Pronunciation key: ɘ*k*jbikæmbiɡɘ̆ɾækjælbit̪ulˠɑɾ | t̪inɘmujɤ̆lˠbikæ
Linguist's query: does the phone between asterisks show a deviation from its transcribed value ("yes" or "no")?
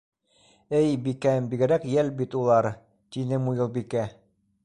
yes